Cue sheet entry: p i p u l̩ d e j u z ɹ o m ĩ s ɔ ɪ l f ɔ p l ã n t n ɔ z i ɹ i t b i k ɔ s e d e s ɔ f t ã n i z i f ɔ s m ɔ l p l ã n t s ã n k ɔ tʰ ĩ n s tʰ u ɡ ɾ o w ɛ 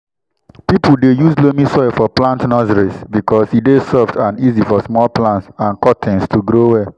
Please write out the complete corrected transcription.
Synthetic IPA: p i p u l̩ d e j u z l o m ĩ s ɔ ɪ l f ɔ p l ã n t n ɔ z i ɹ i s b i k ɔ s i d e s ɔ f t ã n i z i f ɔ s m ɔ l p l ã n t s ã n k ɔ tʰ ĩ n s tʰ u ɡ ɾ o w ɛ